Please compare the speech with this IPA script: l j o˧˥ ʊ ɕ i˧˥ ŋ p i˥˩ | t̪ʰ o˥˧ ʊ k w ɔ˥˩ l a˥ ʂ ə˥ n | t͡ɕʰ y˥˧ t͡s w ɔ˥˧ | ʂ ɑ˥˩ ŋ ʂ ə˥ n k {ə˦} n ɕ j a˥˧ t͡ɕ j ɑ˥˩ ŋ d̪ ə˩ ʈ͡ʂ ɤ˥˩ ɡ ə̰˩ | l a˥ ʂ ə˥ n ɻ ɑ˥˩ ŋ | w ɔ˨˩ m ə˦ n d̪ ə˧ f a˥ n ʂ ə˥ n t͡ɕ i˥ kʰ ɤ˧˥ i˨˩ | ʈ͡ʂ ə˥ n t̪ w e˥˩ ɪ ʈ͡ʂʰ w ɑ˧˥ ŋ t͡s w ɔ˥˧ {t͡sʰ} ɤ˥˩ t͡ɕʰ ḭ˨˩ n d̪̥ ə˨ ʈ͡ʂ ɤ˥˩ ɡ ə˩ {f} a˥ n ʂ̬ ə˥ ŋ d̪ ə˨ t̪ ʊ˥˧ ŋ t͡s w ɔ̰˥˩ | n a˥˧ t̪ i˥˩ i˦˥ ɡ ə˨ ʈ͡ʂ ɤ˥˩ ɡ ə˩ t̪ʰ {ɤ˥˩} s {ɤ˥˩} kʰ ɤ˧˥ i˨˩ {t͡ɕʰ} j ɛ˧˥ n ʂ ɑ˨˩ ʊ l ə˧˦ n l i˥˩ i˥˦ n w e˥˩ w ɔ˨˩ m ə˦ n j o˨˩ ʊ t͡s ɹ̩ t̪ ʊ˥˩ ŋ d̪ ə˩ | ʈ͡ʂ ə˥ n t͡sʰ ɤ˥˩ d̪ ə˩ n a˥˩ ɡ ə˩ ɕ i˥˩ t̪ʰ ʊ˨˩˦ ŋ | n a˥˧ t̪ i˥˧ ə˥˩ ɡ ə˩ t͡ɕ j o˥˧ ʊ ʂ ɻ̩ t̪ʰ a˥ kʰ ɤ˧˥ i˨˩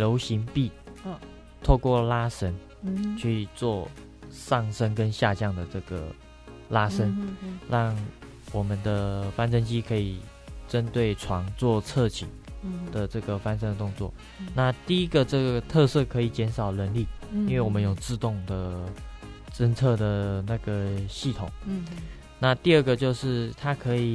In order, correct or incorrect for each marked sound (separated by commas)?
correct, correct, correct, incorrect, correct, incorrect